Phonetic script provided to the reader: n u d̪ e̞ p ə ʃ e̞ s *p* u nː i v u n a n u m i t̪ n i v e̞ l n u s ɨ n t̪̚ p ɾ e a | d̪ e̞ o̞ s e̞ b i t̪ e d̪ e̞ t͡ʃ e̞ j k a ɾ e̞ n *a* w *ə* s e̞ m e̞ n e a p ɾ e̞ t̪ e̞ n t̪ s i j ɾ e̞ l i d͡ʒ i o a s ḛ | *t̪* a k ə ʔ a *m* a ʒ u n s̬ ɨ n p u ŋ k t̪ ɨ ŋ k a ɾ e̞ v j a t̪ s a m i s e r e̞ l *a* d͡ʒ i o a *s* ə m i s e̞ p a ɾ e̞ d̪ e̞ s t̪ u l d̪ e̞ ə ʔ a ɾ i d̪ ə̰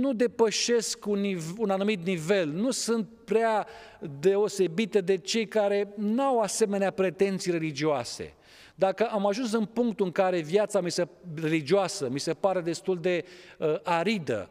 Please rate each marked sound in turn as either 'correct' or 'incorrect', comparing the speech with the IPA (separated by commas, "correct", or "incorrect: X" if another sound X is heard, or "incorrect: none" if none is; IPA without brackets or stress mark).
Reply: incorrect: k, correct, incorrect: a, incorrect: d̪, correct, incorrect: i, correct